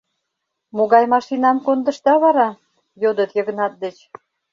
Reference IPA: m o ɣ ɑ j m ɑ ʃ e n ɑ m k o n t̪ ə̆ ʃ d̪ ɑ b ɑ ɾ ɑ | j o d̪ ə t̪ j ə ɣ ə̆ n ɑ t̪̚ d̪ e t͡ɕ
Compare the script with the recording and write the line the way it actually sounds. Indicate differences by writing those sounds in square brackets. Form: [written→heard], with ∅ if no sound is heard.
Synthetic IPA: m o ɣ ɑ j m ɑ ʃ [e→i] n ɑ m k o n [t̪→d̪] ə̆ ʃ [d̪→t̪] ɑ [b→β] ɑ ɾ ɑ | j o d̪ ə t̪ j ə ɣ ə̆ n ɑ t̪̚ d̪ e t͡ɕ

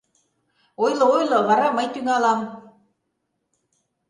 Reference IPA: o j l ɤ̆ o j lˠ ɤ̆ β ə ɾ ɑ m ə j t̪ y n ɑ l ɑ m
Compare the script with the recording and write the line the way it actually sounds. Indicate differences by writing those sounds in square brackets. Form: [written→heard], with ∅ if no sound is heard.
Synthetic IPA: o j l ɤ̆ o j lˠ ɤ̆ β [ə→ɑ] ɾ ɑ m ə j t̪ y [n→ŋ] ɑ l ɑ m

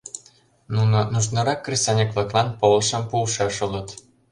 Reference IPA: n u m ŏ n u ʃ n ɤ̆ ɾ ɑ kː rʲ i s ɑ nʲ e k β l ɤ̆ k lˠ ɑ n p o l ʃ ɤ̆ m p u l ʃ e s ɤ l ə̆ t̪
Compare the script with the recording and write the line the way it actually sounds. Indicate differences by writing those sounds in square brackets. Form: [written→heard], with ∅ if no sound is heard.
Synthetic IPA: n u [m→n] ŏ n u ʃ n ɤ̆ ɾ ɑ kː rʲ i s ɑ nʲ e k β l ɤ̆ k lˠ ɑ n p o l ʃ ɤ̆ m p u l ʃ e [s→ʃ] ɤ l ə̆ t̪

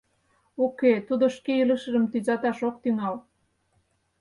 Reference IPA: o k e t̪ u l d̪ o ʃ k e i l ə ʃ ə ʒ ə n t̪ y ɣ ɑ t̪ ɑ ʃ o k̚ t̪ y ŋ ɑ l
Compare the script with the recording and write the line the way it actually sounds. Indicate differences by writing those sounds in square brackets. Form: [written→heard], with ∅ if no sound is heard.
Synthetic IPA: o k e t̪ u [l→∅] d̪ o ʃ k e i l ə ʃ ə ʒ ə [n→m] t̪ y [ɣ→z] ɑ t̪ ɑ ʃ o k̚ t̪ y ŋ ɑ l

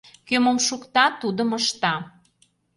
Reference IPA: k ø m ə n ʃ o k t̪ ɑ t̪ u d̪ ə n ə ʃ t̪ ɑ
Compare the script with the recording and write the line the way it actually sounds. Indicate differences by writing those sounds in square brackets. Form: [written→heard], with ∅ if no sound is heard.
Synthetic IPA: k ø m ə [n→m] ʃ [o→u] k t̪ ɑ t̪ u d̪ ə [n→m] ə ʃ t̪ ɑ

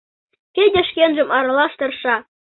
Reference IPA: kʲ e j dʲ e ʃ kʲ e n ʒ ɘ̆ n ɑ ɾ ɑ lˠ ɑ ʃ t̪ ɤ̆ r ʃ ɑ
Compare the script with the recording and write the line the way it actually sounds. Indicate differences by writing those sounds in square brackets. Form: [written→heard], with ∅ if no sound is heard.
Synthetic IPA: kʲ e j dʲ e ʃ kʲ e n ʒ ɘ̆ [n→m] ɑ ɾ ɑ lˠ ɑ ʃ t̪ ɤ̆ r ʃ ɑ

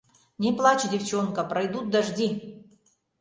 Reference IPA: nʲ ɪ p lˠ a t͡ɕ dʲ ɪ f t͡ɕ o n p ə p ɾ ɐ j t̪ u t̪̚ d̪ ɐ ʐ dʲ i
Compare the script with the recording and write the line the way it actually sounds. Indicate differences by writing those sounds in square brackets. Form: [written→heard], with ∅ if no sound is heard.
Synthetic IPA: nʲ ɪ p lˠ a t͡ɕ dʲ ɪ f t͡ɕ o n [p→k] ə p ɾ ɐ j [t̪→d̪] u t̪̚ d̪ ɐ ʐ dʲ i

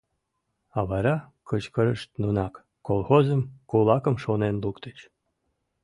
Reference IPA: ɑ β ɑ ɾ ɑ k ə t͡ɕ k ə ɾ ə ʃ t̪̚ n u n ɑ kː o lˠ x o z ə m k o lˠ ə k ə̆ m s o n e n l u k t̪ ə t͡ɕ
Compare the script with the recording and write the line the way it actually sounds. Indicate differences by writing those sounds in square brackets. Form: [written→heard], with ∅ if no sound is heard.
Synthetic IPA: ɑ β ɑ ɾ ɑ k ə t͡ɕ k ə ɾ ə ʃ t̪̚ n u n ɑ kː o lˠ x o z ə m k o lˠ [ə→ɑ] k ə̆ m [s→ʃ] o n e n l u k t̪ ə t͡ɕ

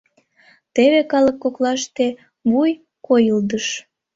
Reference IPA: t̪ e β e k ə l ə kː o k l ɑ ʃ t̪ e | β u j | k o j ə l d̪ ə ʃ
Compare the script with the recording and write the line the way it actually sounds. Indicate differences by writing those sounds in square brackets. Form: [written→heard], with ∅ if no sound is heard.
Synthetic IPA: t̪ e β e k [ə→ɑ] l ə kː o k l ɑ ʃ t̪ e | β u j | k o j ə l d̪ ə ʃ

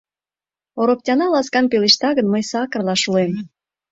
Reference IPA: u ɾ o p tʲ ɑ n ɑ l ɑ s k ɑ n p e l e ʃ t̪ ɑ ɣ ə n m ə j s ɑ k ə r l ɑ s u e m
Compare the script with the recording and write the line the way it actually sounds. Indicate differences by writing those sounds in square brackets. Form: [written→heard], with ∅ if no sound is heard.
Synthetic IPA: [u→o] ɾ o p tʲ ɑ n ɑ l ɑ s k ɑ n p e l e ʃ t̪ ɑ ɣ ə n m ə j s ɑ k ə r l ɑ [s→ʃ] u e m

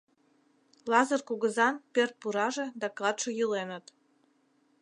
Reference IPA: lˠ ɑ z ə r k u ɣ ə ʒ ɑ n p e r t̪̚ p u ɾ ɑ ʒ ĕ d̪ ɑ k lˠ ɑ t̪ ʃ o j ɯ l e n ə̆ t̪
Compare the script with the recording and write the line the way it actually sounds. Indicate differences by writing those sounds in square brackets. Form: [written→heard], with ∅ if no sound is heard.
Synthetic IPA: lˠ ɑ z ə r k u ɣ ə [ʒ→z] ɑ n p e r t̪̚ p u ɾ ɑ ʒ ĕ d̪ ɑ k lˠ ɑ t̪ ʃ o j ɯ l e n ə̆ t̪

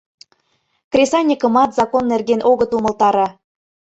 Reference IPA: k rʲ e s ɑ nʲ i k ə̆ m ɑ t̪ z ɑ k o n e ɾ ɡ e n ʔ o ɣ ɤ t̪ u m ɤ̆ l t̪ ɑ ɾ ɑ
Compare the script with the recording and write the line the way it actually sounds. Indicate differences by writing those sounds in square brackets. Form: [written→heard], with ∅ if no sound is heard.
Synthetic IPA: k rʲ e s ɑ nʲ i k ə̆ m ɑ t̪ z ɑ k o [n→nː] e [ɾ→r] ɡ e n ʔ o ɣ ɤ t̪ u m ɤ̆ l t̪ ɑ ɾ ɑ

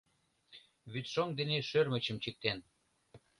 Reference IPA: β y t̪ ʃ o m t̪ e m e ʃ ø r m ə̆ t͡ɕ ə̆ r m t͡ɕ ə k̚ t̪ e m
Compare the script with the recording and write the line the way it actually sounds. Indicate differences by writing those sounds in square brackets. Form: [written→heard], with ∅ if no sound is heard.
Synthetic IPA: β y t̪ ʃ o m [t̪→d̪] e [m→n] e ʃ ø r m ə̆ t͡ɕ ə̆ [r→∅] m t͡ɕ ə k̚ t̪ e [m→n]

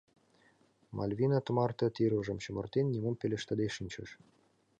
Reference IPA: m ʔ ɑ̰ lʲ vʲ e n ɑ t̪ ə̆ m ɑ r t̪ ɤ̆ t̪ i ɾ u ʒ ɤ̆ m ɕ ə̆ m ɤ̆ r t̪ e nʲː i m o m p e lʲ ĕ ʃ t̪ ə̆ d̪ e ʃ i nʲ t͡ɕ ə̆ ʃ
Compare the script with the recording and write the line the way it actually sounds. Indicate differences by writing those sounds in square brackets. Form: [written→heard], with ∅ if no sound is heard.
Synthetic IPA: m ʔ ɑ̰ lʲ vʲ [e→i] n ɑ t̪ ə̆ m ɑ r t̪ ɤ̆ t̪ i ɾ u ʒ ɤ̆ m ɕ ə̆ m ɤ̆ r t̪ e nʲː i m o m p e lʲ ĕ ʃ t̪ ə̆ d̪ e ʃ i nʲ t͡ɕ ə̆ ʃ

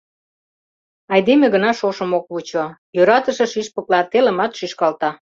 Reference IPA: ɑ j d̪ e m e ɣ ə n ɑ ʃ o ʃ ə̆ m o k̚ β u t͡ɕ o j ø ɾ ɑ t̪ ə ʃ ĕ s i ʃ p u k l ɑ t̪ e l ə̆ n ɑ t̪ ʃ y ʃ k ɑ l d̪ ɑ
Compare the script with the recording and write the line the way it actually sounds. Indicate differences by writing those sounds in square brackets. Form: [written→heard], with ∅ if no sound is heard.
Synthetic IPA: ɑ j d̪ e m e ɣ ə n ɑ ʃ o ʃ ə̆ m o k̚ β u t͡ɕ o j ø ɾ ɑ t̪ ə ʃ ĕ [s→ʃ] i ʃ p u k l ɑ t̪ e l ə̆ [n→m] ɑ t̪ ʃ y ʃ k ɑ l [d̪→t̪] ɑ

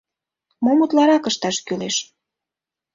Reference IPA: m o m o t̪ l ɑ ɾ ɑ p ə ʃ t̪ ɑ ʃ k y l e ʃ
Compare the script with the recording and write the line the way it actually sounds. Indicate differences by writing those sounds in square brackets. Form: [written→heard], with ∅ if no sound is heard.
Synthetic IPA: m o m [o→u] t̪ l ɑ ɾ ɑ [p→k] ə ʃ t̪ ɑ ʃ k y l e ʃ

